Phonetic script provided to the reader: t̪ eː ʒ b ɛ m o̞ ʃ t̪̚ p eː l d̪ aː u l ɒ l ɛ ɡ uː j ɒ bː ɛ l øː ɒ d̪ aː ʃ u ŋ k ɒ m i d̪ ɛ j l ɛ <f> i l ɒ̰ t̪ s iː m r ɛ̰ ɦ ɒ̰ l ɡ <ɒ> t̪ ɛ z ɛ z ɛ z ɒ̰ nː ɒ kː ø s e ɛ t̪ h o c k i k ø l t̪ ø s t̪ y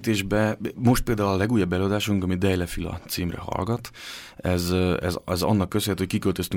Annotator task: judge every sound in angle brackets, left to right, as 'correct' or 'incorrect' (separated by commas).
correct, correct